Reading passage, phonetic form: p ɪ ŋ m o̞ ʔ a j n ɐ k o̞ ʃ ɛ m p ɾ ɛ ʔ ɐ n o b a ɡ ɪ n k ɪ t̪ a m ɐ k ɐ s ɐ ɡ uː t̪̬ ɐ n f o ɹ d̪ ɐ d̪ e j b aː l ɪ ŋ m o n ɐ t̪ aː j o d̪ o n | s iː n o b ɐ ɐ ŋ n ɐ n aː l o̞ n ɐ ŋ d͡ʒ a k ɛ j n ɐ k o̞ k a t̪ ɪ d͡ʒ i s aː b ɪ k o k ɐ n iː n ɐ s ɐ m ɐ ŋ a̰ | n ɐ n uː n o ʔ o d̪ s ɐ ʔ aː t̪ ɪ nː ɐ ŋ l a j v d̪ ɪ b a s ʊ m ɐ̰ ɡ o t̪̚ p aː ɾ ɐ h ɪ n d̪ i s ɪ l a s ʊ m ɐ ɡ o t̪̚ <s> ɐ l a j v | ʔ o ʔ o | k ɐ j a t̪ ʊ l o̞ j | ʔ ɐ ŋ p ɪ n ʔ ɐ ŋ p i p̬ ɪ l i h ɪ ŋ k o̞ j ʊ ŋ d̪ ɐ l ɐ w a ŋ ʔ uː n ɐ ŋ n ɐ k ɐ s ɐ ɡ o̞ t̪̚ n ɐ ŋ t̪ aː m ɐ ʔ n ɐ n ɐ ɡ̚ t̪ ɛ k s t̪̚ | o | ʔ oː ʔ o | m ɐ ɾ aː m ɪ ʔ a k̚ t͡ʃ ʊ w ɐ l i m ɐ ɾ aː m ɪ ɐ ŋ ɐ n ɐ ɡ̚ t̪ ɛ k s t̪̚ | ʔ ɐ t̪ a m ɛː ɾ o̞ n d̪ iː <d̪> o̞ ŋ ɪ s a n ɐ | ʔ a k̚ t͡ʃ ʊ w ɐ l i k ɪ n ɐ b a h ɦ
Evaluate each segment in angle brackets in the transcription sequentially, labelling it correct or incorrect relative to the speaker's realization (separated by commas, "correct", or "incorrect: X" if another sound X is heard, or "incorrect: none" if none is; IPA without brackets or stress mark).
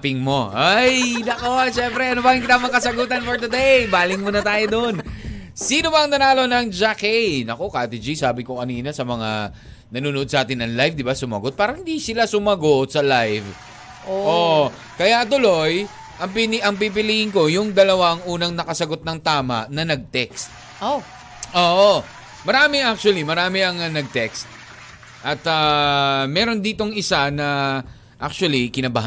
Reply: correct, incorrect: t̪